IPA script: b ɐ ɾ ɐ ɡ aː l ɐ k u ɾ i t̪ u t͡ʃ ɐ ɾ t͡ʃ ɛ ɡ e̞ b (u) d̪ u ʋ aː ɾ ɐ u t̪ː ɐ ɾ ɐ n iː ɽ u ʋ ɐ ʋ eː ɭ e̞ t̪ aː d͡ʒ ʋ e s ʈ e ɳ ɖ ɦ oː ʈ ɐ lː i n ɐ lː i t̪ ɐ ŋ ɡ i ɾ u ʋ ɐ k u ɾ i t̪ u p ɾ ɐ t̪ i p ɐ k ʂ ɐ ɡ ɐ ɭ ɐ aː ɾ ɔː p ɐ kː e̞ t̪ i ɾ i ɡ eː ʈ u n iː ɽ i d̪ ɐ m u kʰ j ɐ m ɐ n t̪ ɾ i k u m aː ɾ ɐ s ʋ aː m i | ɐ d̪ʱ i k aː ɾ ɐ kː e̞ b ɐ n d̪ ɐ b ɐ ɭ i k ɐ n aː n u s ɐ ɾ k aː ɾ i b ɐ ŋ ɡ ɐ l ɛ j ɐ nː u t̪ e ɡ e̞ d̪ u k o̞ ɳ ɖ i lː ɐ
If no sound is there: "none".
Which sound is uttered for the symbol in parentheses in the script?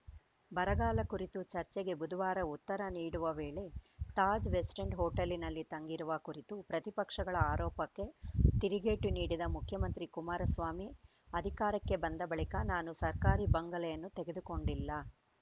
u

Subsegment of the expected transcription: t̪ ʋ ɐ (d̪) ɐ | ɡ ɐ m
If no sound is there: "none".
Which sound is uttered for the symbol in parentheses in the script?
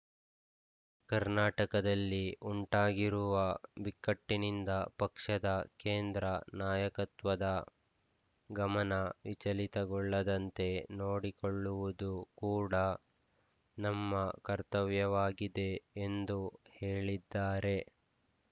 d̪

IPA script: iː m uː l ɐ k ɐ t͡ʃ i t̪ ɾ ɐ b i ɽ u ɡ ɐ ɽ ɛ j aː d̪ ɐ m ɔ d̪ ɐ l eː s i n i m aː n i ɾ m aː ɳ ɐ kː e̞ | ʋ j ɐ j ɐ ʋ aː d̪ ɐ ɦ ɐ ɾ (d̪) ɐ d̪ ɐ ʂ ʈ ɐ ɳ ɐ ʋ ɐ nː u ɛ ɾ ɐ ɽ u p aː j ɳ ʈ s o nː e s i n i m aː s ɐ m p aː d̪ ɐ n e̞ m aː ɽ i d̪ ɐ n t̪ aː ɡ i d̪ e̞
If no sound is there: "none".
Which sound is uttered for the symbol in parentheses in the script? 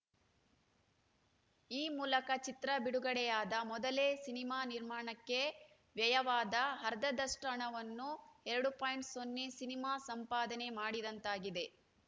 d̪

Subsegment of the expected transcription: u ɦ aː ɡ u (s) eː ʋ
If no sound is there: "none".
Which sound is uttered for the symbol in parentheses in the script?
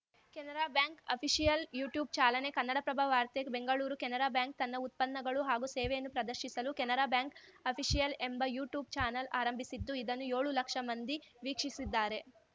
s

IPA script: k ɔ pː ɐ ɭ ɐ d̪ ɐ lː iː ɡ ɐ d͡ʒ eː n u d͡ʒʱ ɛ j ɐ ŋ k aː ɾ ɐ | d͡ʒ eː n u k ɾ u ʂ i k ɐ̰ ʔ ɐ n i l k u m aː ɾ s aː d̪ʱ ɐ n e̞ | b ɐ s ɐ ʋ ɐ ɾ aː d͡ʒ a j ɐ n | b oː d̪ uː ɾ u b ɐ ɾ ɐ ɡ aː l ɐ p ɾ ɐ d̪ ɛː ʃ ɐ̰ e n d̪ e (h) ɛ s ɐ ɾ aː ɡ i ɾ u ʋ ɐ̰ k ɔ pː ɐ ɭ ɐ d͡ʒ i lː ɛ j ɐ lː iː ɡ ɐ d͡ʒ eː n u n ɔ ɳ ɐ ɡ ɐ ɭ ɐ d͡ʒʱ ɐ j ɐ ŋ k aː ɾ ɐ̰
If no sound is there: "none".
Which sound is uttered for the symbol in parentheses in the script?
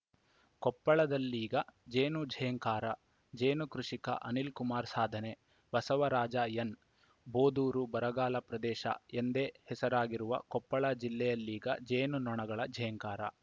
h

